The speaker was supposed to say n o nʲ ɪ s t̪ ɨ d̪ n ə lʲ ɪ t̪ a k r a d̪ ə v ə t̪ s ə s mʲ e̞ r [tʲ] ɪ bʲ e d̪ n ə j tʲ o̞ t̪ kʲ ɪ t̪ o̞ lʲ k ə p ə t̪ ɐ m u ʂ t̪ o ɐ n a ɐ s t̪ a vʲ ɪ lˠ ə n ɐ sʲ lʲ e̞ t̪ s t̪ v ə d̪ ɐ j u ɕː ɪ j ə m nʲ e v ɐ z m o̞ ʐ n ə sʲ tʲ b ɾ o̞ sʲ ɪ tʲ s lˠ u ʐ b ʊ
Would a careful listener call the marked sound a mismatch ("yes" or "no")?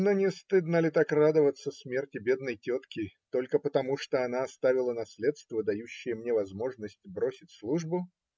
no